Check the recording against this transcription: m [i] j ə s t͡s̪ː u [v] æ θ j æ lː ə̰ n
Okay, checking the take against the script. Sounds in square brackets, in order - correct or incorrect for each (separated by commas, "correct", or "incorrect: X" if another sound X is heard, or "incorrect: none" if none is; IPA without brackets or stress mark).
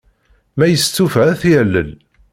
incorrect: æ, incorrect: f